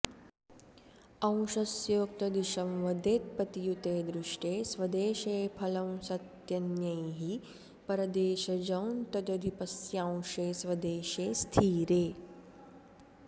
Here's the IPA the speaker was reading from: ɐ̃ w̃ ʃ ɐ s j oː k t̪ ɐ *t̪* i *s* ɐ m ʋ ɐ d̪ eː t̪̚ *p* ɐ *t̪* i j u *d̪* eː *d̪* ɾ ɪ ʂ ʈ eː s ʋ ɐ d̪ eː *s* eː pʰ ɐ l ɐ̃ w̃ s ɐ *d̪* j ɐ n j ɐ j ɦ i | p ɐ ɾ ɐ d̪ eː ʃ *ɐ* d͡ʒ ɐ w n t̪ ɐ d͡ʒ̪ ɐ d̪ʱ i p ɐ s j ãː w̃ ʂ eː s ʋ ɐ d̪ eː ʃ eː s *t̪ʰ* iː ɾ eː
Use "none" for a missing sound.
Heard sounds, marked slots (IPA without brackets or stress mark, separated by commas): d̪, ʃ, p, t̪, t̪, d̪, ʃ, t̪, ɐ, t̪ʰ